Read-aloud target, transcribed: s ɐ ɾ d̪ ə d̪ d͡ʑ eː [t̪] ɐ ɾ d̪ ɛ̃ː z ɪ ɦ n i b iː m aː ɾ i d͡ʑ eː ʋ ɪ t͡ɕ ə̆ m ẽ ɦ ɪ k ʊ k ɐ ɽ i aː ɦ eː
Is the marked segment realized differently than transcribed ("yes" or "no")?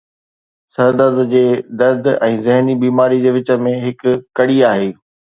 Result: yes